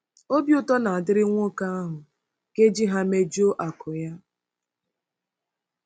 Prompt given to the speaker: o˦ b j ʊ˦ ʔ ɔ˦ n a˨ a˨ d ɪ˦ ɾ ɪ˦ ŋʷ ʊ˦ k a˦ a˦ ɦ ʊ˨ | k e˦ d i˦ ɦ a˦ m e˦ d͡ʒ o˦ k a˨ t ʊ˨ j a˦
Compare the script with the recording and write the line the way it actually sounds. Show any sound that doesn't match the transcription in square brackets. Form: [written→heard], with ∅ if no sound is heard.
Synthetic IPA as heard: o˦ b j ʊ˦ [ʔ→t] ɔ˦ n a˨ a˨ d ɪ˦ ɾ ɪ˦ ŋʷ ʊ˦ k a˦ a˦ ɦ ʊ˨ | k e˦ [d→d͡ʒ] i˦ ɦ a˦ m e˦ d͡ʒ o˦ [k→ʔ] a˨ [t→k] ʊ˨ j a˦